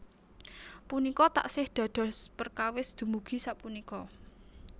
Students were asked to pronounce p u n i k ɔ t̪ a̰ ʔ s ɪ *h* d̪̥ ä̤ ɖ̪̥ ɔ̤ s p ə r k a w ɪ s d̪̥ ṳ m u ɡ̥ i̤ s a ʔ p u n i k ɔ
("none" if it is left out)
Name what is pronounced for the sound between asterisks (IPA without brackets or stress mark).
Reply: h